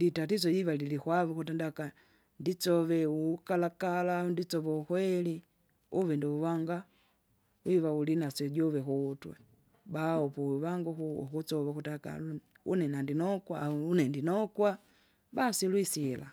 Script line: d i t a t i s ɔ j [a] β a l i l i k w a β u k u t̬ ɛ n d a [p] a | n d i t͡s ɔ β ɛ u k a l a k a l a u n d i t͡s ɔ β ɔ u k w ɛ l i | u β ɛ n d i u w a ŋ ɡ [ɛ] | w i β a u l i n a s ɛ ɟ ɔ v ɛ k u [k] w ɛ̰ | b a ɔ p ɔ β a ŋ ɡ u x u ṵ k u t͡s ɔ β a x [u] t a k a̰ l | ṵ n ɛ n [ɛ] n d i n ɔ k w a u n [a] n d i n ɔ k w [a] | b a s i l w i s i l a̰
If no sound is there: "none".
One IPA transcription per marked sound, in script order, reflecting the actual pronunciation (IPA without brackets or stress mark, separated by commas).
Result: i, k, a, t, u, a, ɛ, a